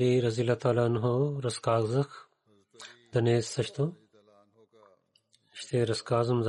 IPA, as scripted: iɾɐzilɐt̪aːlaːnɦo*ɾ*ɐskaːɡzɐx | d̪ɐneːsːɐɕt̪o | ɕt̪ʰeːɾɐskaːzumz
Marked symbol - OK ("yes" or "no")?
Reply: yes